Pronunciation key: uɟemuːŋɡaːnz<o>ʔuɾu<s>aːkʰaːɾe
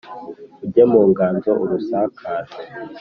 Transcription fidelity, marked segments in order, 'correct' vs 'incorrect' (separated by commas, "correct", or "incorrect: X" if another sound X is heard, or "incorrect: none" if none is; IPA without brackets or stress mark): correct, correct